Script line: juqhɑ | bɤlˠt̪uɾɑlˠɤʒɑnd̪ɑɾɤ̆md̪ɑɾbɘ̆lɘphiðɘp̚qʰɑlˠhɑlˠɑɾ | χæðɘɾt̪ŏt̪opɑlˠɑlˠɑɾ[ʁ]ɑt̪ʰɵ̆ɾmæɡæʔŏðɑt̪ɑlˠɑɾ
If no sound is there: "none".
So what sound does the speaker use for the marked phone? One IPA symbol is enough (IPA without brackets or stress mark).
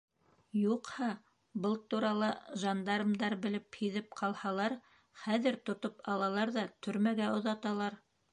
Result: ð